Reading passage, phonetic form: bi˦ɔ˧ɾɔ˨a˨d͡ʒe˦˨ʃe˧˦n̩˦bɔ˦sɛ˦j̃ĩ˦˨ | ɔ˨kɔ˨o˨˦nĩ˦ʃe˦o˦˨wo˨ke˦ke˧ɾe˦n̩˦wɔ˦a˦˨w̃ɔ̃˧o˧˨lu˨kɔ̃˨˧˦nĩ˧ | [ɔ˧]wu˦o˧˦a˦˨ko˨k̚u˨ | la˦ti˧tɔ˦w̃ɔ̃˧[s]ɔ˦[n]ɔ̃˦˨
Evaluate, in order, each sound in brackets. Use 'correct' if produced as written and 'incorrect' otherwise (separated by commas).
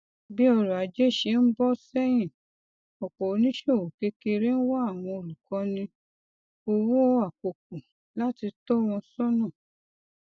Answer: incorrect, correct, correct